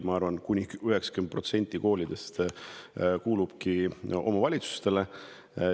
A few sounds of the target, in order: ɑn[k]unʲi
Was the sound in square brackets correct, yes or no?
yes